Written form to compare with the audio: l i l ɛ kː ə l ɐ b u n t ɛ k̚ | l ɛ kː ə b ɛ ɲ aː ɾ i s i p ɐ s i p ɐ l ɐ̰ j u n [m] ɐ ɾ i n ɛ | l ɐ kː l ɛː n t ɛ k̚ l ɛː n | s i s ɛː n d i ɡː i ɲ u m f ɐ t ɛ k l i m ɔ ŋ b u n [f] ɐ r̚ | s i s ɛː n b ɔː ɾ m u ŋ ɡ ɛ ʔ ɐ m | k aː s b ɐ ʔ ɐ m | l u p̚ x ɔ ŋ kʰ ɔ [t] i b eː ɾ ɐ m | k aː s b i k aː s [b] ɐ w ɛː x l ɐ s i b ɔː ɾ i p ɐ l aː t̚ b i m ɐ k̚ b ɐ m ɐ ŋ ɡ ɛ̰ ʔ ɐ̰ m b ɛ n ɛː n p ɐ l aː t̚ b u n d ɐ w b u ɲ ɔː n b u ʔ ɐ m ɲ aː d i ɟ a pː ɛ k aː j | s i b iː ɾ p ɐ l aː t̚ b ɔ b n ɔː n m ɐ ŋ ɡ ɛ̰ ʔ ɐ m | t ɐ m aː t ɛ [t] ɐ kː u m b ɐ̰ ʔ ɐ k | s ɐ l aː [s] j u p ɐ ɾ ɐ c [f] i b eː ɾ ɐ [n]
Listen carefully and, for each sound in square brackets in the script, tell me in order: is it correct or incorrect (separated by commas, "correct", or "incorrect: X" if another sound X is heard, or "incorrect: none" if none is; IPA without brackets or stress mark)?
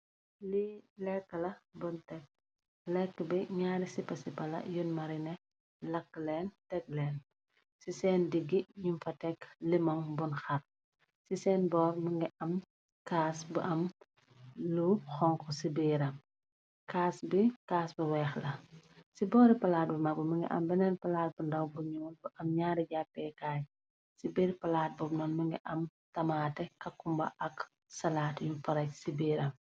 correct, incorrect: x, incorrect: s, correct, incorrect: k, incorrect: t, incorrect: s, incorrect: m